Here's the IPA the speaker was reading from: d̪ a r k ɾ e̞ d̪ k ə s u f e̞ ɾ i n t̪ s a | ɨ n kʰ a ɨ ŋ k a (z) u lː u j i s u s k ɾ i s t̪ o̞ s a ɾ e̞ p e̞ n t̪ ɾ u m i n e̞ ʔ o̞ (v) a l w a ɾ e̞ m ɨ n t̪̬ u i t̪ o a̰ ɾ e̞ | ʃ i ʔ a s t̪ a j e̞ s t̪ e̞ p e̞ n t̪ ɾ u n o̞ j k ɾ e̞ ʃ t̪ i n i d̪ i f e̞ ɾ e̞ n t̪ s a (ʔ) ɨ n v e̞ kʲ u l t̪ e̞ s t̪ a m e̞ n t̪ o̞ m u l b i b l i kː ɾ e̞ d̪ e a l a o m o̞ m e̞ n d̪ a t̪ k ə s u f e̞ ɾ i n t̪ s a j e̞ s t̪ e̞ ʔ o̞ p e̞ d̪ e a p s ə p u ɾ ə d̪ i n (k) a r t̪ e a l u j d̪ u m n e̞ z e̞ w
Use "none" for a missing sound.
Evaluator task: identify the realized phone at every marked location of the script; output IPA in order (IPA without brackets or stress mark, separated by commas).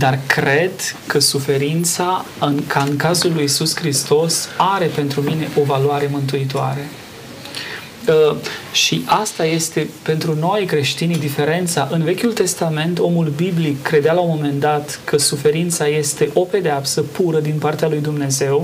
z, v, ʔ, p